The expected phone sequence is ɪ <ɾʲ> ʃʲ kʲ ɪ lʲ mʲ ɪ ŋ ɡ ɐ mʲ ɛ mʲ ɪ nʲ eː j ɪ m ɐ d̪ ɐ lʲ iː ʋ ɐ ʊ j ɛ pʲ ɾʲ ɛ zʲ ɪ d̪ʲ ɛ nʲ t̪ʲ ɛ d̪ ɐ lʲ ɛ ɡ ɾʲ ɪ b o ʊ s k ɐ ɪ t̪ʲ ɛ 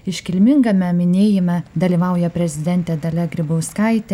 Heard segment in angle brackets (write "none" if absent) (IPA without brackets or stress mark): none